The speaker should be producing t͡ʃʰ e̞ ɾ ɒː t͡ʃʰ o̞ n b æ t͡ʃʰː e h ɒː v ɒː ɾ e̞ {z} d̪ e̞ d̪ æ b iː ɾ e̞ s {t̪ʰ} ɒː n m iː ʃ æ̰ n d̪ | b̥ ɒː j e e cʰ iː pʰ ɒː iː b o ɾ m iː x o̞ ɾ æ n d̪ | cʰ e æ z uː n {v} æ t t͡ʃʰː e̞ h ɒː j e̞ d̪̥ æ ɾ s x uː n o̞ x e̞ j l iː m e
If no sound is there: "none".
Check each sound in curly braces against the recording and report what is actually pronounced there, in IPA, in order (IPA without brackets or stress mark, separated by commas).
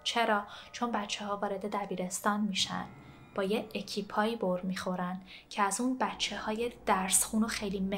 none, t̪, b